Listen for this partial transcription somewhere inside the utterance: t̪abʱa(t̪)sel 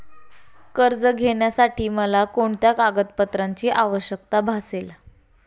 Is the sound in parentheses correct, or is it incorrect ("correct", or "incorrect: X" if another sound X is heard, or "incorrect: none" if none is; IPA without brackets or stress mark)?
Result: incorrect: none